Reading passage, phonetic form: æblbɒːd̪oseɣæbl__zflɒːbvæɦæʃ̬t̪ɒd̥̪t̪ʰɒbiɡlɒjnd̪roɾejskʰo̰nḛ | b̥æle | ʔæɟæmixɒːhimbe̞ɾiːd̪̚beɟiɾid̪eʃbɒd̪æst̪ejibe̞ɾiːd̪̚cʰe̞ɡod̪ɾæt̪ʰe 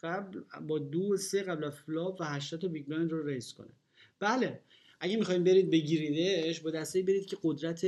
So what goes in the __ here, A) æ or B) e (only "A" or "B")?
A